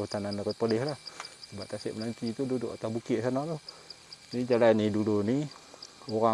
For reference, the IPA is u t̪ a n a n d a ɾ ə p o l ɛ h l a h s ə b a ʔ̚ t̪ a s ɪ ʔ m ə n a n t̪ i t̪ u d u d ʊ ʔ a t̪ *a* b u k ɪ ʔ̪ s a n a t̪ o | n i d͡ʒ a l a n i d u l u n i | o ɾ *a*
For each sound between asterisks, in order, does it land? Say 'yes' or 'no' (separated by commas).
yes, yes